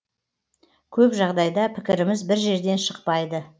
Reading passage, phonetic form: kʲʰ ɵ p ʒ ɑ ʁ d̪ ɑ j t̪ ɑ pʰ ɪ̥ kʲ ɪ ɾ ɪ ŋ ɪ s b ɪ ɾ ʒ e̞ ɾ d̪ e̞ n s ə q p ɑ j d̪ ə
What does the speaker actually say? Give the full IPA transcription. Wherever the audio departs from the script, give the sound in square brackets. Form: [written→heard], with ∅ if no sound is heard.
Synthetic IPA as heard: kʲʰ ɵ p ʒ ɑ ʁ d̪ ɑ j [t̪→d̪] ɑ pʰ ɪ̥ kʲ ɪ ɾ ɪ [ŋ→m] ɪ [s→z] b ɪ ɾ ʒ e̞ ɾ d̪ e̞ n [s→ʃ] ə q p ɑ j d̪ ə